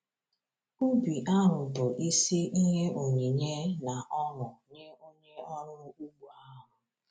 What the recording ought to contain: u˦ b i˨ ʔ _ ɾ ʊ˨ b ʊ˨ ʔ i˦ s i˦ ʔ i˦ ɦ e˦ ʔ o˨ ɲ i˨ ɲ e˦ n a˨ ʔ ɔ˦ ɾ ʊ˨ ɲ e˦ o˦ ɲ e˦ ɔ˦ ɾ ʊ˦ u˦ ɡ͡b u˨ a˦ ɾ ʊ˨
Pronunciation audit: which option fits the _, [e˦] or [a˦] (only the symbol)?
a˦